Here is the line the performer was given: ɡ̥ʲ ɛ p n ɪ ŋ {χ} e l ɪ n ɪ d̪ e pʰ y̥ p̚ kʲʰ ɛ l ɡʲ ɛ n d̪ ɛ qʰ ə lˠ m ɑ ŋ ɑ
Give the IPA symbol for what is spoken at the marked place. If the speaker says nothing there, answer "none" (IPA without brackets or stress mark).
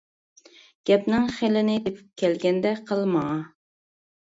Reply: χ